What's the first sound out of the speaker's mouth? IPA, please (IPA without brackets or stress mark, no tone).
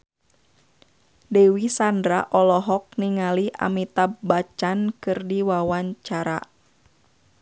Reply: d